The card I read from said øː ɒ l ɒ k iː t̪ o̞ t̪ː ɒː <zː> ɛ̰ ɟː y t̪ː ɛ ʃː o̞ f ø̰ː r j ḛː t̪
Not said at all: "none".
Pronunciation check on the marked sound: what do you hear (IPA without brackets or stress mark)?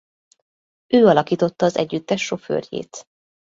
z